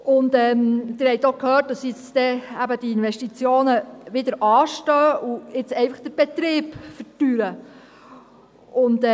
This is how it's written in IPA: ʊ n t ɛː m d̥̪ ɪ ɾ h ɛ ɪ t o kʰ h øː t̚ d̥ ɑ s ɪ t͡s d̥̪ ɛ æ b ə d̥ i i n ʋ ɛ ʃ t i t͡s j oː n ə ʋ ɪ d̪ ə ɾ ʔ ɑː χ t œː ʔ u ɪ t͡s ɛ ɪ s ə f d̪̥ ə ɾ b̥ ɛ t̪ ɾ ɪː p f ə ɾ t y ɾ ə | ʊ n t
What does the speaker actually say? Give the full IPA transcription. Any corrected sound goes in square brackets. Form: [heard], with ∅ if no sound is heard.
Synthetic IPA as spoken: ʊ n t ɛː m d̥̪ ɪ ɾ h ɛ ɪ t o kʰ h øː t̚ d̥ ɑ s ɪ t͡s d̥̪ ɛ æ b ə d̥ i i n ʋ ɛ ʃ t i t͡s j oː n ə ʋ ɪ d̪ ə ɾ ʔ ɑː [ʃ] t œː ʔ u ɪ t͡s ɛ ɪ [f] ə [χ] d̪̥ ə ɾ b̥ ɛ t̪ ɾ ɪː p f ə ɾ t y ɾ ə | ʊ n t